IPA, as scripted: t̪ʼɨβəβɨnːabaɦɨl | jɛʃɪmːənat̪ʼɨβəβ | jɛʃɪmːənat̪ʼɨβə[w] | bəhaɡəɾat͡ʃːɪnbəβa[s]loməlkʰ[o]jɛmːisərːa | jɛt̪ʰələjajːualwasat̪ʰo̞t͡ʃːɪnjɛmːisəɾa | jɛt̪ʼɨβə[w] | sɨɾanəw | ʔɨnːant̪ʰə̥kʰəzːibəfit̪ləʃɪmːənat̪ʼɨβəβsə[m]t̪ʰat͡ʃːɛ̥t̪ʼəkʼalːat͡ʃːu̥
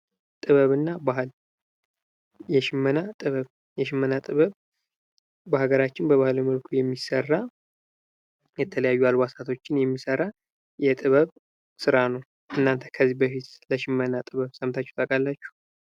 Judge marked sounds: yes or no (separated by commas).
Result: no, no, no, no, yes